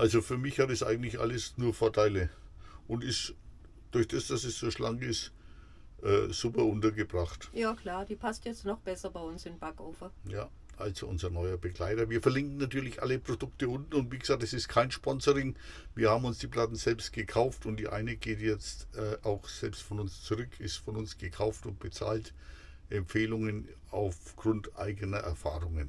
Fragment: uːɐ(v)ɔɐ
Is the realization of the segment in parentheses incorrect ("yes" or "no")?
yes